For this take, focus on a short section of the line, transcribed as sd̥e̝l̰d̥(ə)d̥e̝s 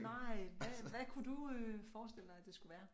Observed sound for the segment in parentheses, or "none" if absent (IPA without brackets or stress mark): ɑ